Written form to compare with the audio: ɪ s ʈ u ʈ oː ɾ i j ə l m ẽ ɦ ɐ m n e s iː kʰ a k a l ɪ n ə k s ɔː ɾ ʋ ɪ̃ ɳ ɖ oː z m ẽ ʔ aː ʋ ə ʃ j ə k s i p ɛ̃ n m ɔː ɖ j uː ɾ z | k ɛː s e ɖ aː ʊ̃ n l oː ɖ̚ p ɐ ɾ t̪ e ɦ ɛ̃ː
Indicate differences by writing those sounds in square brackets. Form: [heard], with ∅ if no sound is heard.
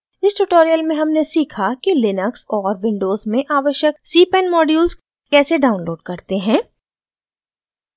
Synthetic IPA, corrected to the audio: ɪ s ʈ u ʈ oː ɾ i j ə l m ẽ ɦ ɐ m n e s iː kʰ a k [i] l ɪ n ə k s ɔː ɾ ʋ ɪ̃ ɳ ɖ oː z m ẽ ʔ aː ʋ ə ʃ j ə k s [iː] p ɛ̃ n m ɔː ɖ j uː [l] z | k ɛː s e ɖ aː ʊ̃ n l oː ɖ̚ [k] ɐ ɾ t̪ e ɦ ɛ̃ː